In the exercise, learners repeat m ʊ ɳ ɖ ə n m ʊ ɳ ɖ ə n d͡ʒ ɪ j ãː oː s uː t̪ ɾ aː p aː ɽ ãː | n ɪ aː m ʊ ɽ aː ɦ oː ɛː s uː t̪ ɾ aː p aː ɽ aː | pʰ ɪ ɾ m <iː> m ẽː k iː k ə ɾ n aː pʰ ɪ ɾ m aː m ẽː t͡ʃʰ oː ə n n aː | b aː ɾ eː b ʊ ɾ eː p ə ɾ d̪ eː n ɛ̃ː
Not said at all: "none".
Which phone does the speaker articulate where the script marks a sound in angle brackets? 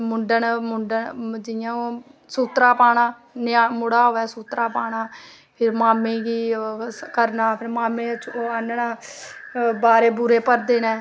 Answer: aː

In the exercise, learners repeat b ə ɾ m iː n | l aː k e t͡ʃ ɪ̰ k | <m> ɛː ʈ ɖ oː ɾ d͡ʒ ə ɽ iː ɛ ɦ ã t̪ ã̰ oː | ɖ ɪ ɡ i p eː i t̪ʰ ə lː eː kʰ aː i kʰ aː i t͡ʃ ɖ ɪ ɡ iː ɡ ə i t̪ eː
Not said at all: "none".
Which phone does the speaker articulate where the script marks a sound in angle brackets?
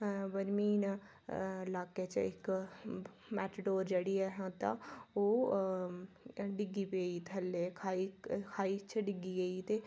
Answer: m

